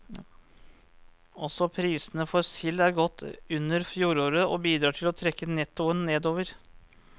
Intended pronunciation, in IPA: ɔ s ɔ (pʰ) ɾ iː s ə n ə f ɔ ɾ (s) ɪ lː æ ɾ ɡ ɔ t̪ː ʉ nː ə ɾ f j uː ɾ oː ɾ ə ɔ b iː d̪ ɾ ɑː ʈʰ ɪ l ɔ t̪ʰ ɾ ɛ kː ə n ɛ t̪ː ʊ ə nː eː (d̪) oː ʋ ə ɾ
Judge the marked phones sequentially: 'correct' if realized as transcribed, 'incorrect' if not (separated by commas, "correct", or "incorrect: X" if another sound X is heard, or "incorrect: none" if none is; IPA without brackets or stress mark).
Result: correct, correct, correct